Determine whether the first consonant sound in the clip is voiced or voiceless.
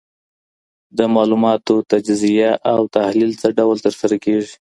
voiced